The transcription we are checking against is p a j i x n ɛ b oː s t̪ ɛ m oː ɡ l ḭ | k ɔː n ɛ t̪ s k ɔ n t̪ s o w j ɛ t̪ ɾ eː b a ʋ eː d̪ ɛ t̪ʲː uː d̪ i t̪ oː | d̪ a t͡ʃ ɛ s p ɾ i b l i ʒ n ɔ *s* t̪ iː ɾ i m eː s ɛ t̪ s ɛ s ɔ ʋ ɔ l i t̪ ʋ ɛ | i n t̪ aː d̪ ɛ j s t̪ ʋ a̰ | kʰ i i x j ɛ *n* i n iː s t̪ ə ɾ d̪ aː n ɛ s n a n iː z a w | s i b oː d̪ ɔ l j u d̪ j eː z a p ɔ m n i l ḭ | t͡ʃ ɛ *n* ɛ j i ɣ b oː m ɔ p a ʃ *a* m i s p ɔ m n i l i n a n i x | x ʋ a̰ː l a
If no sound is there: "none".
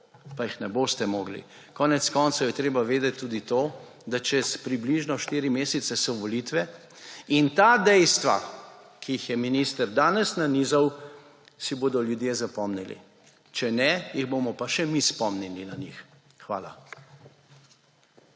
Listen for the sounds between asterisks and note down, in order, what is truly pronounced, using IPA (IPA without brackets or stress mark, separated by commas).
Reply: ʃ, m, n, ɛ